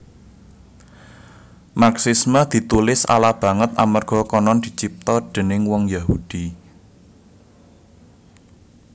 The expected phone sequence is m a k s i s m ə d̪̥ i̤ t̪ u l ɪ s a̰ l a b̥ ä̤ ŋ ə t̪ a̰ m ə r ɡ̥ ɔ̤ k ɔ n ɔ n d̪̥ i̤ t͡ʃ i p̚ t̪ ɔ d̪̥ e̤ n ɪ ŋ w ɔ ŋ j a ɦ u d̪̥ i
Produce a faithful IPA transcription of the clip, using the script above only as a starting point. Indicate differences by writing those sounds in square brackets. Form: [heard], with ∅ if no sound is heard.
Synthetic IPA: m a k s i s m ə d̪̥ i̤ t̪ u l ɪ s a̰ l a b̥ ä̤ ŋ ə t̪ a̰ m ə r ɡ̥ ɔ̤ k ɔ n ɔ n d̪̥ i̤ t͡ʃ i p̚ t̪ ɔ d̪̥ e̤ n ɪ ŋ w ɔ ŋ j a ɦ u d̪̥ i